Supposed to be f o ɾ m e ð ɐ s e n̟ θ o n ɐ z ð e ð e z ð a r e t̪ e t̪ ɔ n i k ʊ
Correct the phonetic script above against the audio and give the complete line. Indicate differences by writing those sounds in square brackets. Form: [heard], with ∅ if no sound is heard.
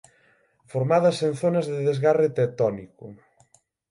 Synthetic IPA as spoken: f o ɾ m [a] ð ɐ s e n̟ θ o n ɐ z ð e ð e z [ɣ] a r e t̪ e t̪ ɔ n i k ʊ

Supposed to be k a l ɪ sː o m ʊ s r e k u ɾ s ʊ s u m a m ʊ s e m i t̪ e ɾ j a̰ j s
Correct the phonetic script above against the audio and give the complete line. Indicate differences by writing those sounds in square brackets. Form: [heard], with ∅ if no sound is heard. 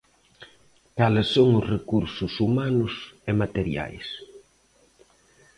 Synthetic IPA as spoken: k a l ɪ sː o [ŋ] ʊ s r e k u ɾ s ʊ s u m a [n] ʊ s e m [a] t̪ e ɾ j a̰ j s

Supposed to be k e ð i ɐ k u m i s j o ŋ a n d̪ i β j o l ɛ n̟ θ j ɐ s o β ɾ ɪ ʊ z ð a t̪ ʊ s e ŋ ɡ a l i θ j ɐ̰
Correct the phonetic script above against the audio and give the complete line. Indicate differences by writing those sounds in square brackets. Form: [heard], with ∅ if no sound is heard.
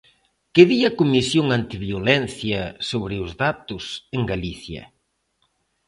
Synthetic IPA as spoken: k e ð i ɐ k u m i s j o ŋ a n [t̪] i β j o l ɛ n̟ θ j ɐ s o β ɾ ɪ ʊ z ð a t̪ ʊ s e ŋ ɡ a l i θ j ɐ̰

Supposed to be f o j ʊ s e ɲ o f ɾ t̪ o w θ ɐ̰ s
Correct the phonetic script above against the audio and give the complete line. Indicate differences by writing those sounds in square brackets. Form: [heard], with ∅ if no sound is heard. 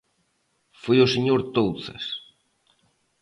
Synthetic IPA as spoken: f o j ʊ s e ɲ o [∅] ɾ t̪ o w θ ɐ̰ s

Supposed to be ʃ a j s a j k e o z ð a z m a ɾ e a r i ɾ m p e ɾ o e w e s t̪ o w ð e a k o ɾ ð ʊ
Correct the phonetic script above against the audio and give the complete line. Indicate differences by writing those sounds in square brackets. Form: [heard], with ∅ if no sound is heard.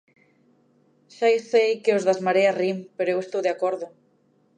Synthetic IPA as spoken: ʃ a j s [e] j k e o z ð a z m a ɾ e a r i [∅] m p e ɾ o e w e s t̪ o w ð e a k o ɾ ð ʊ

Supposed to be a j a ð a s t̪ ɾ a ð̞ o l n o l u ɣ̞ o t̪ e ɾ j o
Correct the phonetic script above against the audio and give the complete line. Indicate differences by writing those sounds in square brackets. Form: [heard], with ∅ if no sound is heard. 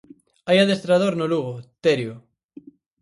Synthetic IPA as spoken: a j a ð [e] s t̪ ɾ a ð̞ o [ɾ] n o l u ɣ̞ o t̪ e ɾ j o

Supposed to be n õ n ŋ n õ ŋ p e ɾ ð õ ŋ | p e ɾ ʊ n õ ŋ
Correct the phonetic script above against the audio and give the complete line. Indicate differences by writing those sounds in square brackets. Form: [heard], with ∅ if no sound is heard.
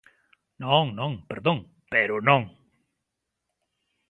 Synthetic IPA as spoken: n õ [∅] ŋ n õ ŋ p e ɾ ð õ ŋ | p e ɾ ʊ n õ ŋ

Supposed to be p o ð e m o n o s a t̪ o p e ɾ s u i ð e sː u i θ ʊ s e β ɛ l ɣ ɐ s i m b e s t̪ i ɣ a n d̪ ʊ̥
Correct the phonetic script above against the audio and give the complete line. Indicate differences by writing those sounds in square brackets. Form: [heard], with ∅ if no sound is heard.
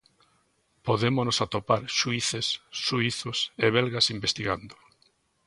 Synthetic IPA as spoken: p o ð e m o n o s a t̪ o p [a] ɾ [ʃ] u i [θ] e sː u i θ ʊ s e β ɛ l ɣ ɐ s i m b e s t̪ i ɣ a n d̪ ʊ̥

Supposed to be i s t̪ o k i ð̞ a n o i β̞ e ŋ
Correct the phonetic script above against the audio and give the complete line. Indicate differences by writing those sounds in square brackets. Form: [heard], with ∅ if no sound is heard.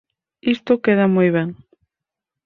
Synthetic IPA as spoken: i s t̪ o k [e] ð̞ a [m] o [j] β̞ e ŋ

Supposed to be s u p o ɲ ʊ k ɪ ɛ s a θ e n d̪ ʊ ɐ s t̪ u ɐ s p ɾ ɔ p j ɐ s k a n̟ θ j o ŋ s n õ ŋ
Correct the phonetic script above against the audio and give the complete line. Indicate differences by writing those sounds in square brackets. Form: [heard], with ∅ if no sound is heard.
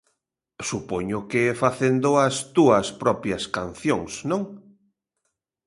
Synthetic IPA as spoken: s u p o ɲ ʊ k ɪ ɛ [f] a θ e n d̪ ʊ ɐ s t̪ u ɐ s p ɾ ɔ p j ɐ s k a n̟ θ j o ŋ s n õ ŋ

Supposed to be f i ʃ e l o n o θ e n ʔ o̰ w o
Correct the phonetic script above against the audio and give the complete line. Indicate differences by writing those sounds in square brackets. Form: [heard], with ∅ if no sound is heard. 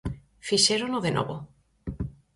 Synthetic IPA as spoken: f i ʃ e [ɾ] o n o [ð] e n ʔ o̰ [β] o

